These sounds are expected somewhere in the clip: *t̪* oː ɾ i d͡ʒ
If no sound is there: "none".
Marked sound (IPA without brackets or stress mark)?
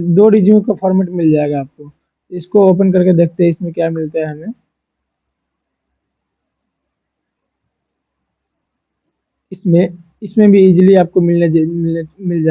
d̪